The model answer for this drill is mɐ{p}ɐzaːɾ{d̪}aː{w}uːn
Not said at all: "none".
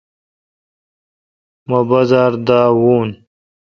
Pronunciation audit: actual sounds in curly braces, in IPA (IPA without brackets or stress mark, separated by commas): b, d̪, w